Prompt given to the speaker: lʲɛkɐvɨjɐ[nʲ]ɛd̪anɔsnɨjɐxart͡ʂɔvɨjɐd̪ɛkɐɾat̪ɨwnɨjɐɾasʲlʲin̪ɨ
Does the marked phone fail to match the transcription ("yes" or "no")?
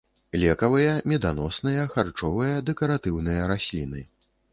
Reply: yes